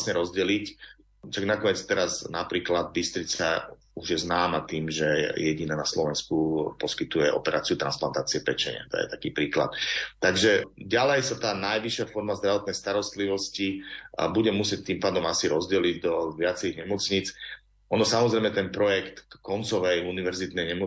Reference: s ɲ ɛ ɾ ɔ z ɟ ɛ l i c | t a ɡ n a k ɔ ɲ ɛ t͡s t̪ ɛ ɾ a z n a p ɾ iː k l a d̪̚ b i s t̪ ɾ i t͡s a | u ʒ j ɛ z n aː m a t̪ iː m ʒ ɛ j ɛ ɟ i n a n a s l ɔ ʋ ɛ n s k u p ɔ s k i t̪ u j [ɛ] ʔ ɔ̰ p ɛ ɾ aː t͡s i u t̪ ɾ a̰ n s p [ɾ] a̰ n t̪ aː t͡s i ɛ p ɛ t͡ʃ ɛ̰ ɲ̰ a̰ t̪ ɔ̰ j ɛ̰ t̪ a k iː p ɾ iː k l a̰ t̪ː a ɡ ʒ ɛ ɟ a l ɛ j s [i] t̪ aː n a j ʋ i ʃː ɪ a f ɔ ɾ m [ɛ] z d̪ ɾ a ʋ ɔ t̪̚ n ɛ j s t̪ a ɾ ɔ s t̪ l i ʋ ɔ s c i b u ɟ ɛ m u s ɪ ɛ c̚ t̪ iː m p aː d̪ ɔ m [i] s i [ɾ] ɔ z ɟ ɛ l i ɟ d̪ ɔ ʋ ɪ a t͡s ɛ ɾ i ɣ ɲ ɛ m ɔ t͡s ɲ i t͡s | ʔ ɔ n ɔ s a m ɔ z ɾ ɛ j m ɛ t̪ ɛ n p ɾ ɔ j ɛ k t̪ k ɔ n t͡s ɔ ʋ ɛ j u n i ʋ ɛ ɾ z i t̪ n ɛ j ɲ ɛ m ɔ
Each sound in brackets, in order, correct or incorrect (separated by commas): correct, incorrect, incorrect, incorrect, incorrect, correct